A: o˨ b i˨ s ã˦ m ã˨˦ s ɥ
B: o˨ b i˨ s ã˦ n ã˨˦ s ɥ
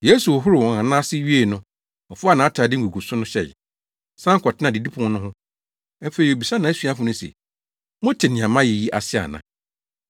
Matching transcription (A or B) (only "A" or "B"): B